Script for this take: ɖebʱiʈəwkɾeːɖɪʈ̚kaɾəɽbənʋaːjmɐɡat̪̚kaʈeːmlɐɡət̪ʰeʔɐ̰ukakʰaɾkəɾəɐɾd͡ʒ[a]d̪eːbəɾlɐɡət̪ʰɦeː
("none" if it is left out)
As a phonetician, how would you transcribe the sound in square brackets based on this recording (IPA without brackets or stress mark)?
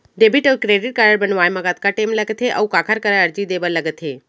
i